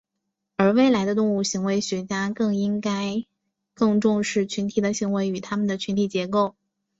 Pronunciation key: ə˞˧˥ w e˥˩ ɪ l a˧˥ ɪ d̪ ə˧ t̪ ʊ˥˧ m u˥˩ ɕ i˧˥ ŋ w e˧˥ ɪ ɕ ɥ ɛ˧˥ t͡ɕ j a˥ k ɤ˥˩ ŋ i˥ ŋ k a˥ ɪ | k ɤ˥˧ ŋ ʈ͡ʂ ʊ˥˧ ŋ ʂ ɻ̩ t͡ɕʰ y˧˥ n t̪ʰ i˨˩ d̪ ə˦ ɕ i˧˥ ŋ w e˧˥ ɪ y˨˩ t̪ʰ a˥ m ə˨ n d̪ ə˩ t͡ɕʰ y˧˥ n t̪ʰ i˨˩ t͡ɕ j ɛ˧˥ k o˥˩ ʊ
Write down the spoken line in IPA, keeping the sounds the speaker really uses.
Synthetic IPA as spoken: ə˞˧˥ w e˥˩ ɪ l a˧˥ ɪ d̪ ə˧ t̪ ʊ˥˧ ŋ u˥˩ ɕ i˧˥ ŋ w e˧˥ ɪ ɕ ɥ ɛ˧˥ t͡ɕ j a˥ k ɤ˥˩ ŋ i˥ ŋ k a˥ ɪ | k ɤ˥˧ ŋ ʈ͡ʂ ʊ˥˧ ŋ ʂ ɻ̩ t͡ɕʰ y˧˥ n t̪ʰ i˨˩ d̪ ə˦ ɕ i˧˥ ŋ w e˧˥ ɪ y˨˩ t̪ʰ a˥ m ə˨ n d̪ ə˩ t͡ɕʰ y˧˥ n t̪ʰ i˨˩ t͡ɕ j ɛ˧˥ k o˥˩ ʊ